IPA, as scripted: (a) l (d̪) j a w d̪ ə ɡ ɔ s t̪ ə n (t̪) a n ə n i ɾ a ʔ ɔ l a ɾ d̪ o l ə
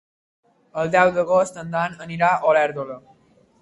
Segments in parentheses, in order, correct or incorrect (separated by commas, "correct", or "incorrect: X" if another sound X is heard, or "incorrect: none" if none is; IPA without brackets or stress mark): incorrect: ə, correct, incorrect: d̪